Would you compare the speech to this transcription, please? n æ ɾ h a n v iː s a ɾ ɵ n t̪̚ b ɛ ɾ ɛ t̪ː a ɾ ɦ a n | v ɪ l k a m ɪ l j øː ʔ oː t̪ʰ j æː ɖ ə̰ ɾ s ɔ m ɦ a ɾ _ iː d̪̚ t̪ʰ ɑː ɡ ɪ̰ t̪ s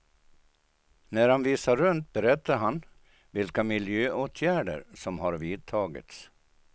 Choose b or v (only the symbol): v